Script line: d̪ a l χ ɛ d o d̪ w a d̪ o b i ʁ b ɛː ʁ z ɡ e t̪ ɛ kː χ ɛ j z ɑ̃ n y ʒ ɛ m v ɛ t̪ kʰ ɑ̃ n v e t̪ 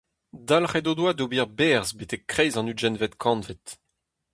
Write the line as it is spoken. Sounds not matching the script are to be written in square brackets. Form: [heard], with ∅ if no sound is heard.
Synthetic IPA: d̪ a l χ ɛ d o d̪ w a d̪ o b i ʁ b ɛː ʁ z [b] e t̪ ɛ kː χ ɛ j z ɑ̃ n y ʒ ɛ [n] v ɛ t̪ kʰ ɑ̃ n v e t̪